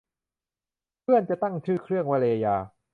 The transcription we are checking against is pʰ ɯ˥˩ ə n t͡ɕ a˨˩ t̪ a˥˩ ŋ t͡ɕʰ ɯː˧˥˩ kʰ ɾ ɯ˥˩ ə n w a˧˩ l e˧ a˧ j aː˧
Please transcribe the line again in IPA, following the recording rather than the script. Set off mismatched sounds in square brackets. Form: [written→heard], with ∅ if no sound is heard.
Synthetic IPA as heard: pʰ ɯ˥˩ ə n t͡ɕ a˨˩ t̪ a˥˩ ŋ t͡ɕʰ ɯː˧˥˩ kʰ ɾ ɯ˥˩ ə [n→ŋ] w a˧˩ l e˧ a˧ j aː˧